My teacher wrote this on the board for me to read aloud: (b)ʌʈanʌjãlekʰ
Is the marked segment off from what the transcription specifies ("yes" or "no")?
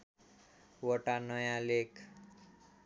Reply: yes